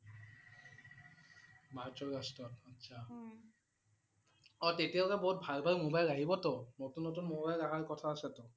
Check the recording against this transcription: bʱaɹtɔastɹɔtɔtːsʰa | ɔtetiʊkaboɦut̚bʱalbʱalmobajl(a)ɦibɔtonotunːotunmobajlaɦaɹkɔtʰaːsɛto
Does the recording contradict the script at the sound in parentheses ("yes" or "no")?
no